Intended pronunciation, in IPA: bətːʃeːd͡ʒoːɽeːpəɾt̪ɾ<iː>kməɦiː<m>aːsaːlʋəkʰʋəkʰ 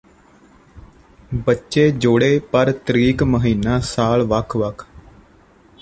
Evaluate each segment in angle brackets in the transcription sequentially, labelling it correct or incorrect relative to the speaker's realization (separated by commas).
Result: correct, incorrect